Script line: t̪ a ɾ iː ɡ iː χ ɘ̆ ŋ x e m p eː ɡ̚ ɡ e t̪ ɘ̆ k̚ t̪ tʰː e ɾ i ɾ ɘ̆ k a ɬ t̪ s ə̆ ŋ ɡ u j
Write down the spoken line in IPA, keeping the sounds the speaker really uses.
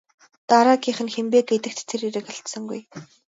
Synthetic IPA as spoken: t̪ a ɾ aː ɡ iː χ ɘ̆ n x e m p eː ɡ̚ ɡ e t̪ ɘ̆ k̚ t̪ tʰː e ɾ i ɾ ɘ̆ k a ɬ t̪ s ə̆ ŋ ɡ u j